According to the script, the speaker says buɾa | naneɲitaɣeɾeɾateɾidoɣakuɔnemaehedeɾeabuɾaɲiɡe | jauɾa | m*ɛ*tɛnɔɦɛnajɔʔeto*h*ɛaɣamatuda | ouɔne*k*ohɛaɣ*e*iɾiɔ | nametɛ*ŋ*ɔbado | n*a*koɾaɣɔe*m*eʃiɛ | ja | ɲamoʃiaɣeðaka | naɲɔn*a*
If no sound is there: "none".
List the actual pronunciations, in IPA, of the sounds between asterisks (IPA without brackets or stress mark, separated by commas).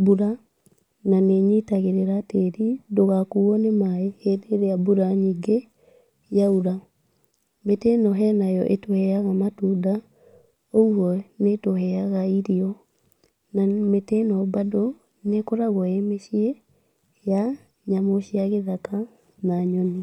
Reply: e, h, t, a, n, e, m, i